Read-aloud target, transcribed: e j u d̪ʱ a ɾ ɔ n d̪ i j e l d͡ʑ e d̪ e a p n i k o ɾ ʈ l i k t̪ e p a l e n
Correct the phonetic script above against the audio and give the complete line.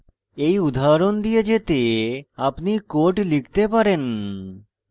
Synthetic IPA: e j u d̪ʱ a ɾ o n d̪ i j e d͡ʑ e t̪ e a p n i k o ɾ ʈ l i k t̪ e p a ɾ e n